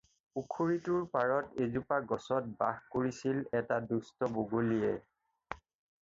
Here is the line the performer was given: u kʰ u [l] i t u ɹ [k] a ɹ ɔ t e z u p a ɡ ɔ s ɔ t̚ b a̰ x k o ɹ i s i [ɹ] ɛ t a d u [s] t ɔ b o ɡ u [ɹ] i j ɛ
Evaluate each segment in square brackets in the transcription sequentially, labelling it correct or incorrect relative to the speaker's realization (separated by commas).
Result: incorrect, incorrect, incorrect, correct, incorrect